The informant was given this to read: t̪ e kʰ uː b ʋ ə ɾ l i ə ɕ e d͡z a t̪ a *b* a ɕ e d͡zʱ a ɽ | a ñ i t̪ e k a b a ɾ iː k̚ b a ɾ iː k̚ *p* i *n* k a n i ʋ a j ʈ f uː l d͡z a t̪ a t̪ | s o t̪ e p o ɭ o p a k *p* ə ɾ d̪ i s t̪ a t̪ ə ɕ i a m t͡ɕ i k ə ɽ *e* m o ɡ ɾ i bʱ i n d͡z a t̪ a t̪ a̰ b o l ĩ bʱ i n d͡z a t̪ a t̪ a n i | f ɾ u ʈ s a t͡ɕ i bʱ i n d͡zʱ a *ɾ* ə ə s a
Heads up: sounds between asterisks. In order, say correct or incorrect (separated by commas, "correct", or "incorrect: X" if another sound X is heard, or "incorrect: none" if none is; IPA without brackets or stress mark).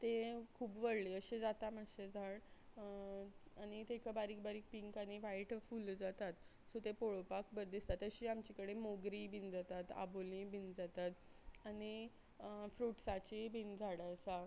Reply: incorrect: m, correct, incorrect: ŋ, incorrect: b, correct, incorrect: ɽ